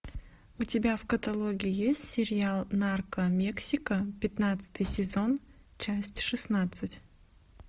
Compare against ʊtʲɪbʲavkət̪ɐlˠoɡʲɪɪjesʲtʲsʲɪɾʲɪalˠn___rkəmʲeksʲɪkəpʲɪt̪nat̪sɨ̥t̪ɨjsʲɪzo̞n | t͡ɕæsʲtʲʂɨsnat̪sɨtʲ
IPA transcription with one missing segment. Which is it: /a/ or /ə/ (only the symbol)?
a